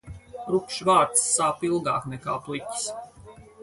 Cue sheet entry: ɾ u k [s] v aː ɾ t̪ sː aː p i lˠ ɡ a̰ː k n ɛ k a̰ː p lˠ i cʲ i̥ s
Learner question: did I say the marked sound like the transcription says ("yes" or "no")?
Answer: no